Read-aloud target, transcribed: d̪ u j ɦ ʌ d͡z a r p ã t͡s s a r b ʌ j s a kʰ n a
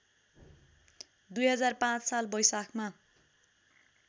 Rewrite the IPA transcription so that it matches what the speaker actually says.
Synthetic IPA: d̪ u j ɦ ʌ d͡z a r p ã t͡s s a l b ʌ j s a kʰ m a